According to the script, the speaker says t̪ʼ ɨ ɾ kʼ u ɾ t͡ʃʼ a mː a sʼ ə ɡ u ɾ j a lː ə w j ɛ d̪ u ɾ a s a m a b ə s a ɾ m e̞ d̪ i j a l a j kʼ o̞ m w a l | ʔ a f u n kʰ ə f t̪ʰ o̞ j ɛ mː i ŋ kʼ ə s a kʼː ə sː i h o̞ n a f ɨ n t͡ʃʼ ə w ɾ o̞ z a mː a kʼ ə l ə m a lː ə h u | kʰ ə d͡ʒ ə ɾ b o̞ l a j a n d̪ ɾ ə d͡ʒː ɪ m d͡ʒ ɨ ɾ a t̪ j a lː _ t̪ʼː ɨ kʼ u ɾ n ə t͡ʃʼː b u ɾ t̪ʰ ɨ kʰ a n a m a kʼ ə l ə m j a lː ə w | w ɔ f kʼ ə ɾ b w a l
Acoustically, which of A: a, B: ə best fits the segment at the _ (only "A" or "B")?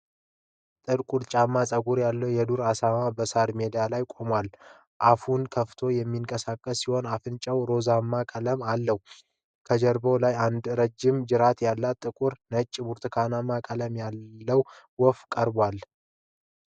A